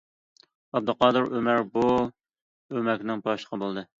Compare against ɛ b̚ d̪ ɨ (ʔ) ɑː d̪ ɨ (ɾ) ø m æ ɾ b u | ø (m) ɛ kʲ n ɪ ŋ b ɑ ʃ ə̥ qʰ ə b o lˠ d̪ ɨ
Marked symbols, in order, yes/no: no, yes, yes

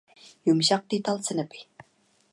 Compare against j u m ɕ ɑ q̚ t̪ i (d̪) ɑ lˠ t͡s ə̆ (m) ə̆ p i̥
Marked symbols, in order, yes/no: no, no

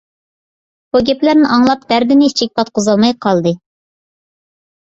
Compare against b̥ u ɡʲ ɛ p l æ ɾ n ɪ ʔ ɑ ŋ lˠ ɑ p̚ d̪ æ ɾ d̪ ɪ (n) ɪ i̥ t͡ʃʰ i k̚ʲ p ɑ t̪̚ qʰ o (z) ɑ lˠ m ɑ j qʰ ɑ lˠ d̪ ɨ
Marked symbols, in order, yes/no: yes, yes

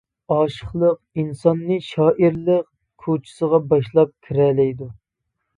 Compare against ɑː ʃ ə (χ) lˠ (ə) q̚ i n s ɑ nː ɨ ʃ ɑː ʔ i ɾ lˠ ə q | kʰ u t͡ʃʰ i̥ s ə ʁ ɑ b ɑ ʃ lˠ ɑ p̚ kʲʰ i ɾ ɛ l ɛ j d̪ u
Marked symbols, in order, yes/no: yes, yes

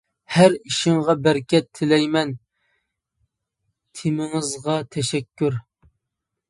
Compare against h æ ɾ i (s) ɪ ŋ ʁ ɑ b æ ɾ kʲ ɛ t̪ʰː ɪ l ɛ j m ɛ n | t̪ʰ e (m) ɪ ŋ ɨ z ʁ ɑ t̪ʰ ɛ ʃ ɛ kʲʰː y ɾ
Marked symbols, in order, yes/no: no, yes

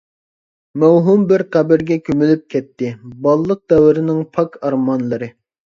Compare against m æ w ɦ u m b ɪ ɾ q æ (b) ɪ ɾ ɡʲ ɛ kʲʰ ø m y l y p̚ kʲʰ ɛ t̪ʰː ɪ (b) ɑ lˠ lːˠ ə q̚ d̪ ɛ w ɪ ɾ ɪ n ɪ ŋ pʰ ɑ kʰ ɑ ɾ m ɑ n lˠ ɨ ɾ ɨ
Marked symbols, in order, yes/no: yes, yes

